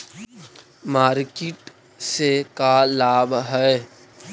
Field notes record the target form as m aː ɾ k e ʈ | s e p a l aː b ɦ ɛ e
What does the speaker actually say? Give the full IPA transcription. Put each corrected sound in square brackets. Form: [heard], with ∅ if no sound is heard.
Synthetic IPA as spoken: m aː ɾ k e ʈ | s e [k] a l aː b ɦ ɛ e

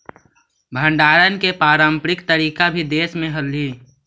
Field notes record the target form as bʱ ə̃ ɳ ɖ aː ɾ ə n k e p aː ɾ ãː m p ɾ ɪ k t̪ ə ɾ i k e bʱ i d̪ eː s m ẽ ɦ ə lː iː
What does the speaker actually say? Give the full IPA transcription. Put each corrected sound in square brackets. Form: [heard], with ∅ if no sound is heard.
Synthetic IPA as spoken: bʱ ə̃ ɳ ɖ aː ɾ ə n k e p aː ɾ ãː m p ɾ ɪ k t̪ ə ɾ [iː] k [a] bʱ i d̪ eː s m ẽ ɦ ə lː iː

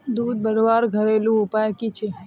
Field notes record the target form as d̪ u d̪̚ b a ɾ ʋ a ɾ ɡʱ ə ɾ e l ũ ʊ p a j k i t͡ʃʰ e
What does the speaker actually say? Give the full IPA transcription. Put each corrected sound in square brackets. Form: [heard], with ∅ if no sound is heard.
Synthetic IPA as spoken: d̪ u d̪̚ b [ə] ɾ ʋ a ɾ ɡʱ ə ɾ e l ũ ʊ p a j k i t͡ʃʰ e

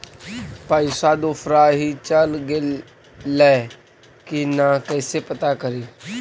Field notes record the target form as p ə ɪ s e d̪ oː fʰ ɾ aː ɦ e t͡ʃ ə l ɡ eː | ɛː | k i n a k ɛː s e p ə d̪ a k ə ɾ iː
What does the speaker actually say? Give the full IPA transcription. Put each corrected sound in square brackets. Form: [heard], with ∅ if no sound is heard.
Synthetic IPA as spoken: p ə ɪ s [a] d̪ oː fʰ ɾ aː ɦ [i] t͡ʃ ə l ɡ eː | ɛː | k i n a k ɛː s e p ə [t̪] a k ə ɾ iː

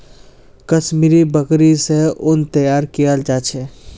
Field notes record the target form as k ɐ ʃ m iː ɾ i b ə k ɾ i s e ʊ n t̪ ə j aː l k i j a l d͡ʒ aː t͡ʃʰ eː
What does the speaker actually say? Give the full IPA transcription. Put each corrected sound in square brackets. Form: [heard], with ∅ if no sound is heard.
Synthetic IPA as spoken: k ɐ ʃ m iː ɾ i b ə k ɾ i s e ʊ n t̪ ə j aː [ɾ] k i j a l d͡ʒ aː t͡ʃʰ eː

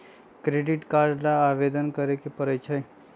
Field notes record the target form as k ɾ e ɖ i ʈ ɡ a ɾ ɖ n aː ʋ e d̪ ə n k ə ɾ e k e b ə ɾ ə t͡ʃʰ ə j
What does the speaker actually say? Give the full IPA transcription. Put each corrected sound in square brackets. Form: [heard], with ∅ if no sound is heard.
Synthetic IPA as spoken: k ɾ e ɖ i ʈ [k] a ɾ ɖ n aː ʋ e d̪ ə n k ə ɾ e k e [p] ə ɾ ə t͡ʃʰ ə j

